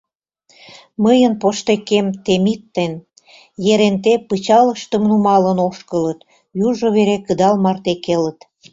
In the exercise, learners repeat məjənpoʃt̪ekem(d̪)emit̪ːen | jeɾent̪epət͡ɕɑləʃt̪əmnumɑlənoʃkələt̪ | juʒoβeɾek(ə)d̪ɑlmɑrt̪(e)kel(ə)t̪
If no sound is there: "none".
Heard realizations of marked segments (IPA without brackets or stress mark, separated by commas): t̪, ə, e, ə